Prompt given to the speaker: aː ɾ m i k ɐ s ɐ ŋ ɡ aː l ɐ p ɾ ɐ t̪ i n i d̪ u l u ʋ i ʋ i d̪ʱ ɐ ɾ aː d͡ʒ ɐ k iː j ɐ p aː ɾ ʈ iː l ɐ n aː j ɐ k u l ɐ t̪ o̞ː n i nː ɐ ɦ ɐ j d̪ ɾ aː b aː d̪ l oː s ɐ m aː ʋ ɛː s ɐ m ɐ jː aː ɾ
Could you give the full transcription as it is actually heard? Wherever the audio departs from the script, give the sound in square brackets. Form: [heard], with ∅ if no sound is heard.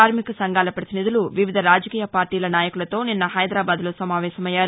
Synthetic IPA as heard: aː ɾ m i k ɐ s ɐ ŋ ɡ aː l ɐ p ɾ ɐ t̪ i n i d̪ u l u ʋ i ʋ i d̪ʱ ɐ ɾ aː d͡ʒ ɐ k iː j ɐ p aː ɾ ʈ iː l ɐ n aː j ɐ k u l ɐ t̪ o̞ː n i nː ɐ ɦ ɐ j d̪ ɾ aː b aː d̪ l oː s ɐ m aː ʋ ɛː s ɐ m ɐ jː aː ɾ